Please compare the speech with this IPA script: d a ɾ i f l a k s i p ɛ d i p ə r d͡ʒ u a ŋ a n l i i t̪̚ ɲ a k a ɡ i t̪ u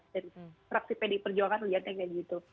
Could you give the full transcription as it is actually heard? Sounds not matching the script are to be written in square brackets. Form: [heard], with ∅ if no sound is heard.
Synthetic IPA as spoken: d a ɾ i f [ɾ] a k s i p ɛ d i p ə r d͡ʒ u a ŋ a n l i [a] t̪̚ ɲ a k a ɡ i t̪ u